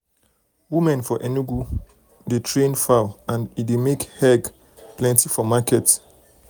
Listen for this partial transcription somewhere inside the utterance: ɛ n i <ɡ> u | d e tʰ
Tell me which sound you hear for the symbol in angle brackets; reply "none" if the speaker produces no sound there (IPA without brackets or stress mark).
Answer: ɡ